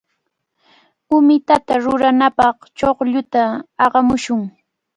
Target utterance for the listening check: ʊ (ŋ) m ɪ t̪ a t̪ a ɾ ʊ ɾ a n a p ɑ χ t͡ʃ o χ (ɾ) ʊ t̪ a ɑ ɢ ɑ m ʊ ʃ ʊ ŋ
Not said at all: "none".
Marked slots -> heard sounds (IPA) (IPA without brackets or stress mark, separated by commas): none, ʎ